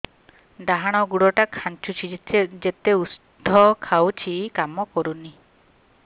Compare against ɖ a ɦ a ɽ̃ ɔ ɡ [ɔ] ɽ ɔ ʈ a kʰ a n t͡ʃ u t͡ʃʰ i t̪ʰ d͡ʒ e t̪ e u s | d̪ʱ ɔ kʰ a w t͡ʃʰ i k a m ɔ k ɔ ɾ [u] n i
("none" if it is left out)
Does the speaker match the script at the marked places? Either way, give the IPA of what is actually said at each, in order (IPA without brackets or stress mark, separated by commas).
u, u